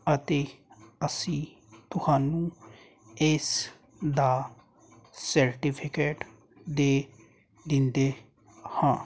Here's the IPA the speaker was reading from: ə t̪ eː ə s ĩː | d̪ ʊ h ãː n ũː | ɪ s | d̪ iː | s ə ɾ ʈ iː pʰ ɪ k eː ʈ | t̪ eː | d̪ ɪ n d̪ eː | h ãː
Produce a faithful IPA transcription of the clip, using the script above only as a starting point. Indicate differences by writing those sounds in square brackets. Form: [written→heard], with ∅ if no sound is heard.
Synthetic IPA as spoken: ə t̪ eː ə s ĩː | [d̪→t̪] ʊ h [ãː→aː] n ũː | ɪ s | d̪ [iː→aː] | s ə ɾ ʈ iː pʰ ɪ k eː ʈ | [t̪→d̪] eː | d̪ ɪ n d̪ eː | h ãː

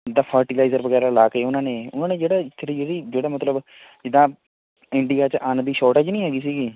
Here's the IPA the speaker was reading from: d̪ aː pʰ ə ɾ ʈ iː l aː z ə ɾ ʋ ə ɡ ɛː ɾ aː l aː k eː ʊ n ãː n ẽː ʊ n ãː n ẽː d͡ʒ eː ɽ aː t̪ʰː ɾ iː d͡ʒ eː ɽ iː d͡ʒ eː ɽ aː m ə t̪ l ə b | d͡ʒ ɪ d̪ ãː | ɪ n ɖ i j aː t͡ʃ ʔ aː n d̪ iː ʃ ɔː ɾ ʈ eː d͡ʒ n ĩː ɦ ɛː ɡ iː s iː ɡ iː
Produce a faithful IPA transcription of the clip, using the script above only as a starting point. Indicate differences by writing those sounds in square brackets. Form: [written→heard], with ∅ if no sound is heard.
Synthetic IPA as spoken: d̪ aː pʰ ə ɾ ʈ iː l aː z ə ɾ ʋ ə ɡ ɛː ɾ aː l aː k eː ʊ n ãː n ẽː ʊ n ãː n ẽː d͡ʒ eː ɽ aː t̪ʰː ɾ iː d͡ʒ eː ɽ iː d͡ʒ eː ɽ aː m ə t̪ l ə b | d͡ʒ ɪ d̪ ãː | ɪ [n→ɳ] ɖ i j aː t͡ʃ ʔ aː n d̪ iː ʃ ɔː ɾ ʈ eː d͡ʒ n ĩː ɦ ɛː ɡ iː s iː ɡ iː

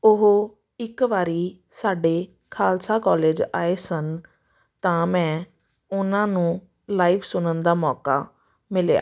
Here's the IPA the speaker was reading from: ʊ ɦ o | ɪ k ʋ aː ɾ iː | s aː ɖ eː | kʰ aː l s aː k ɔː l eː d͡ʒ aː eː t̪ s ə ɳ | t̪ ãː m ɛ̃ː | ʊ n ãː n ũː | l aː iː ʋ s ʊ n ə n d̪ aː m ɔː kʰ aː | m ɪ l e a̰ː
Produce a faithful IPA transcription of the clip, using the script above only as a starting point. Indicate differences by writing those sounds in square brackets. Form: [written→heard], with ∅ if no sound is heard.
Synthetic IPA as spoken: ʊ ɦ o | ɪ k ʋ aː ɾ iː | s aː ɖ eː | kʰ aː l s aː k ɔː l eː d͡ʒ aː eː [t̪→∅] s ə [ɳ→n] | t̪ ãː m ɛ̃ː | ʊ n ãː n ũː | l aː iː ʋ s ʊ n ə n d̪ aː m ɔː [kʰ→k] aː | m ɪ l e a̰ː

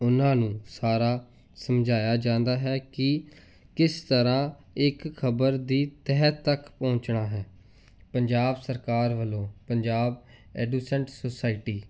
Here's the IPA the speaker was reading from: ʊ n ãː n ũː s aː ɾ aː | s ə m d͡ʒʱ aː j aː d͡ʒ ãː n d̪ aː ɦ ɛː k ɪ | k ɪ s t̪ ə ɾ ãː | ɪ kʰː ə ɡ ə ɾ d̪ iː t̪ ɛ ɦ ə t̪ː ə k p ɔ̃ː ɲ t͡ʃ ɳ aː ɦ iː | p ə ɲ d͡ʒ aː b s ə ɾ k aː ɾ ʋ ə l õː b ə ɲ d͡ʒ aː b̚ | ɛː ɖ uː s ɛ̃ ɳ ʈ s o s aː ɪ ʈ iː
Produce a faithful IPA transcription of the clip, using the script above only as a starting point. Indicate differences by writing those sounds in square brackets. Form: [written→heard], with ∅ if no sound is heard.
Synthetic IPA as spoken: ʊ n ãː n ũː s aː ɾ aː | s ə m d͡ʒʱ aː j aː d͡ʒ ãː n d̪ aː ɦ ɛː k ɪ | k ɪ s t̪ ə ɾ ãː | ɪ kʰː ə [ɡ→b] ə ɾ d̪ iː t̪ ɛ ɦ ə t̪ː ə k p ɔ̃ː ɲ t͡ʃ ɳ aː ɦ [iː→ɛː] | p ə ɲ d͡ʒ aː b s ə ɾ k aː ɾ ʋ ə l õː [b→p] ə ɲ d͡ʒ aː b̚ | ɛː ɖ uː s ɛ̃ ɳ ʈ s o s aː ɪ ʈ iː

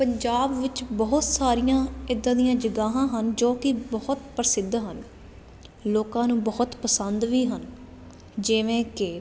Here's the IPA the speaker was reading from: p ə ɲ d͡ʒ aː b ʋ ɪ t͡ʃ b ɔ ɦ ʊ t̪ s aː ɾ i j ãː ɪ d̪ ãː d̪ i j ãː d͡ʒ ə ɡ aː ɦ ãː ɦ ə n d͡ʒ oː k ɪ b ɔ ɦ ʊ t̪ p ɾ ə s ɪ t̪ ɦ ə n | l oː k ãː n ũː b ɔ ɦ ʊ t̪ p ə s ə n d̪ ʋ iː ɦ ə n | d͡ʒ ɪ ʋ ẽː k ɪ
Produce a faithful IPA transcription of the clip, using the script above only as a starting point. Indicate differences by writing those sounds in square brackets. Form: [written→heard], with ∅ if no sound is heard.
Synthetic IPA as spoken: p ə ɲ d͡ʒ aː b ʋ ɪ t͡ʃ b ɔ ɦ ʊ t̪ s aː ɾ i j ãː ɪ d̪ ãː d̪ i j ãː d͡ʒ ə ɡ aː ɦ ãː ɦ ə n d͡ʒ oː k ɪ b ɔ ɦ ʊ t̪ p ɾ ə s ɪ [t̪→d̪] ɦ ə n | l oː k ãː n ũː b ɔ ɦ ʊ t̪ p ə s ə n d̪ ʋ iː ɦ ə n | d͡ʒ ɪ ʋ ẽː k ɪ

